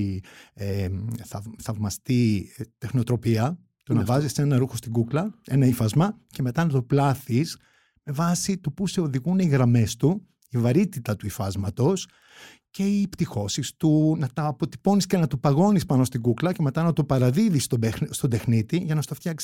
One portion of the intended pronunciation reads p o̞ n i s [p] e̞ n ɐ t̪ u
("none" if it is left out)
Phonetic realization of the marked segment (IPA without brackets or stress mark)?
c